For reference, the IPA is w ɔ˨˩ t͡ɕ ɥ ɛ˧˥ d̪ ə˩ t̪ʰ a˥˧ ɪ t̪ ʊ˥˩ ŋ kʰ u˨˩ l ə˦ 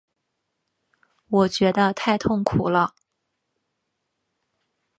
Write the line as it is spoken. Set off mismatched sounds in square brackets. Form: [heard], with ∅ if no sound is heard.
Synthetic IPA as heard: w ɔ˨˩ t͡ɕ ɥ ɛ˧˥ d̪ [ə˧] t̪ʰ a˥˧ ɪ [t̪ʰ] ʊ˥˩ ŋ kʰ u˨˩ l ə˦